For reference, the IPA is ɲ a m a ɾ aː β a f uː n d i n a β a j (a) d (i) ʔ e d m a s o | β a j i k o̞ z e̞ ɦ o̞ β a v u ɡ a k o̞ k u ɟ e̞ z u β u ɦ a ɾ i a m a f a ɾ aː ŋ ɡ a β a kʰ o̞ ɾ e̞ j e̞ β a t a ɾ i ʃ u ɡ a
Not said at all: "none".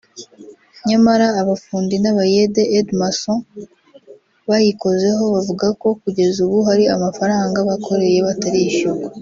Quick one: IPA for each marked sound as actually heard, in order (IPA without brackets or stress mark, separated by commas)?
e, e